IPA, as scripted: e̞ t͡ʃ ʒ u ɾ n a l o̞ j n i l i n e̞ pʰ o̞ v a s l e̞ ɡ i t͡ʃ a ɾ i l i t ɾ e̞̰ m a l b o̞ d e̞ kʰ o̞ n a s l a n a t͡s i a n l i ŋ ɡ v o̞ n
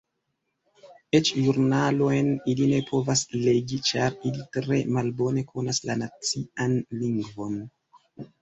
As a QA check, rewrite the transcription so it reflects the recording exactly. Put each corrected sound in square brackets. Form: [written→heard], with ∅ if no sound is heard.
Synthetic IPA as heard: e̞ t͡ʃ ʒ u ɾ n a l o̞ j n i l i n e̞ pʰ o̞ v a s l e̞ ɡ i t͡ʃ a ɾ i l i t ɾ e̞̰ m a l b o̞ [d→n] e̞ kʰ o̞ n a s l a n a t͡s i a n l i ŋ ɡ v o̞ n